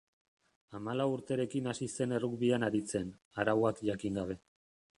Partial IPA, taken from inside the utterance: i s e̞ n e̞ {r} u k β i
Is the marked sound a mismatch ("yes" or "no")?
no